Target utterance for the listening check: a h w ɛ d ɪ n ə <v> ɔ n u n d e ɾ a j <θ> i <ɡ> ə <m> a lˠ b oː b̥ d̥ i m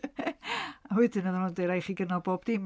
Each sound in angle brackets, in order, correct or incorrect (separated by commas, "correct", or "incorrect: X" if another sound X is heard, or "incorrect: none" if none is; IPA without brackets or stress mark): incorrect: ð, incorrect: χ, correct, incorrect: n